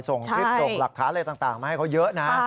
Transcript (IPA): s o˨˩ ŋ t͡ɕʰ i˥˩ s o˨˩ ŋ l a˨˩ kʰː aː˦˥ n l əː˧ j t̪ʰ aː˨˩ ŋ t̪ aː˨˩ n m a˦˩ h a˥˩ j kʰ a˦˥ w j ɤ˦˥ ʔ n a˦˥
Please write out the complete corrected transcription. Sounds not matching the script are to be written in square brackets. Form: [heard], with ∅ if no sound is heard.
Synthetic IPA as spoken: s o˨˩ ŋ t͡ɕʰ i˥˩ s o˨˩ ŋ l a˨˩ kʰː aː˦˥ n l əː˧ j [t̪] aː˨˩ ŋ t̪ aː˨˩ [ŋ] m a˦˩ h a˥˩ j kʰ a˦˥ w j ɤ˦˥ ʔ n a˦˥